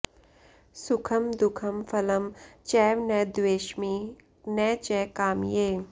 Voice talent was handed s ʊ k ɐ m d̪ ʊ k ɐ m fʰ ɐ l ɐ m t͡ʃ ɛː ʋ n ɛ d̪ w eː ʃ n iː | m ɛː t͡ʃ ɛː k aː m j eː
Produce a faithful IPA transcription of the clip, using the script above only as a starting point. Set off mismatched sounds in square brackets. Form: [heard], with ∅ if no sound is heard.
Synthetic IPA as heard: s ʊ [kʰ] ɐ m d̪ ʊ [kʰ] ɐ m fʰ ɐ l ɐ m t͡ʃ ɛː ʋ n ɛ d̪ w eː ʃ [m] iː | [n] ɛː t͡ʃ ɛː k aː m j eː